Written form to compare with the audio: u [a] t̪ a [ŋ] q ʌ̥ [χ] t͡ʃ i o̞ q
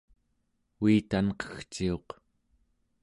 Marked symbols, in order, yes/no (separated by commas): no, no, no